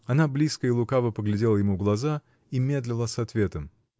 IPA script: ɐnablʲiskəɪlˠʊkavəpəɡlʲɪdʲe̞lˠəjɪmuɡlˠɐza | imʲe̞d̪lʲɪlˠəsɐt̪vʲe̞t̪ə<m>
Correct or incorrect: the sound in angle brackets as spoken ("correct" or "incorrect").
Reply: correct